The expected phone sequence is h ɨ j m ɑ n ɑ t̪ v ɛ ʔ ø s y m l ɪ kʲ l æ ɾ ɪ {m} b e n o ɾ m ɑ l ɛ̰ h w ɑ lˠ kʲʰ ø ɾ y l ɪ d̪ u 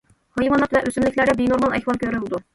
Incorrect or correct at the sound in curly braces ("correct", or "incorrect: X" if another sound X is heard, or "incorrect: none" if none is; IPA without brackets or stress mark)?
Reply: incorrect: none